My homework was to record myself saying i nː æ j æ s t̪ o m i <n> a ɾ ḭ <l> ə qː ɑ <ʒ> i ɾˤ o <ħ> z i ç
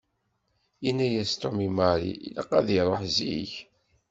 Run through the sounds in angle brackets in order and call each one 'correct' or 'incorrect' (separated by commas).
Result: incorrect, correct, incorrect, correct